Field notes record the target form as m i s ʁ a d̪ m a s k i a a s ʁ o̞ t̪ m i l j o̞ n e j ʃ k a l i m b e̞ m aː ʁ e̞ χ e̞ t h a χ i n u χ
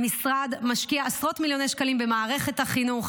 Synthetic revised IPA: m i s ʁ a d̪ m a ʃ k i a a s ʁ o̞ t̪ m i l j o̞ n e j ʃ k a l i m b e̞ m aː ʁ e̞ χ e̞ t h a χ i n u χ